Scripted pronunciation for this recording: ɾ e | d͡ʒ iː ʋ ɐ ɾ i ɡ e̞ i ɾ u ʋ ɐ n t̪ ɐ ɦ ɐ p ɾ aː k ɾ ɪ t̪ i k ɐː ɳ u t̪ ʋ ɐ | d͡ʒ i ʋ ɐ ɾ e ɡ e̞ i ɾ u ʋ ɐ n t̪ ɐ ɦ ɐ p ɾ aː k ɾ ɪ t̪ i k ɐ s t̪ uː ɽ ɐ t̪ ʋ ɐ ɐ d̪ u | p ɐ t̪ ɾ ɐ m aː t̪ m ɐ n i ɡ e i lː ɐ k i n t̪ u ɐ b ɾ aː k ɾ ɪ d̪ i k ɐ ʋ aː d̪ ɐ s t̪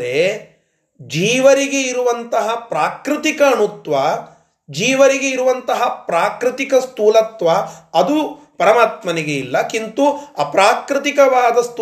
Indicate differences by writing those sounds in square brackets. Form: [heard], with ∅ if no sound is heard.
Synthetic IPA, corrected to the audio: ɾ e | d͡ʒ iː ʋ ɐ ɾ i ɡ e̞ i ɾ u ʋ ɐ n t̪ ɐ ɦ ɐ p ɾ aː k ɾ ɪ t̪ i k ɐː ɳ u t̪ ʋ ɐ | d͡ʒ [iː] ʋ ɐ ɾ [i] ɡ e̞ i ɾ u ʋ ɐ n t̪ ɐ ɦ ɐ p ɾ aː k ɾ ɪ t̪ i k ɐ s t̪ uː [l] ɐ t̪ ʋ ɐ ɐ d̪ u | p ɐ [∅] ɾ ɐ m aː t̪ m ɐ n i ɡ e i lː ɐ k i n t̪ u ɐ [p] ɾ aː k ɾ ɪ [t̪] i k ɐ ʋ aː d̪ ɐ s t̪